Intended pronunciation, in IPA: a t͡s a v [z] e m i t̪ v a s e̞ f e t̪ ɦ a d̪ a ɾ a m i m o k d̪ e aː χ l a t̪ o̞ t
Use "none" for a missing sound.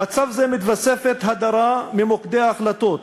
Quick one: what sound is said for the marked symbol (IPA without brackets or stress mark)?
z